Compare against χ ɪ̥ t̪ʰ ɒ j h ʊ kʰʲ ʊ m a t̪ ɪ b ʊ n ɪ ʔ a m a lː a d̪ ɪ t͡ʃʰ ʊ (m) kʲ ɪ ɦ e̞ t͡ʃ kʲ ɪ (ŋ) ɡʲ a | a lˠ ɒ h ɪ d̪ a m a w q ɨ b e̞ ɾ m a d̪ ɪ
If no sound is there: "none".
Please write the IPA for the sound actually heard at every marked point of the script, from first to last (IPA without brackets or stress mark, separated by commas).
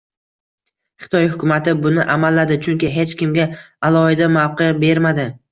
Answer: ŋ, m